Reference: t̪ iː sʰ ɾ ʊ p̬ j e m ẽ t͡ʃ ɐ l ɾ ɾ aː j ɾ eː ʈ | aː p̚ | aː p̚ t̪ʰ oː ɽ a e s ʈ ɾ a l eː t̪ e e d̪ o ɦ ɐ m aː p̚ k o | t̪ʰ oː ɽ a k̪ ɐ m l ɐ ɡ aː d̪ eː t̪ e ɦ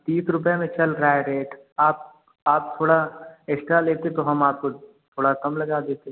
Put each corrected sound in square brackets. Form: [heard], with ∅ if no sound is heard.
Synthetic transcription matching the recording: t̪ iː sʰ ɾ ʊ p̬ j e m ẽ t͡ʃ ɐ l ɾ ɾ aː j ɾ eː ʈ | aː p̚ | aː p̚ t̪ʰ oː ɽ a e s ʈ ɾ a l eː t̪ e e [t̪] o ɦ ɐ m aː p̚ k o | t̪ʰ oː ɽ a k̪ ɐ m l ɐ ɡ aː d̪ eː t̪ e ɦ